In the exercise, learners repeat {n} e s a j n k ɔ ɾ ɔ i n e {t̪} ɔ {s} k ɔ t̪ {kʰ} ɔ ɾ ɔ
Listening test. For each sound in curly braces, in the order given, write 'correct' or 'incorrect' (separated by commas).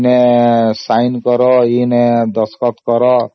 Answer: correct, incorrect, correct, incorrect